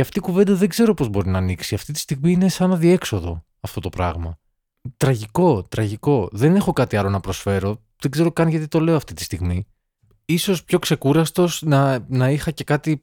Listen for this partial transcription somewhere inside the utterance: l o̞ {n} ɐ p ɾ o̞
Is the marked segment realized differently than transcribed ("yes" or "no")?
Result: no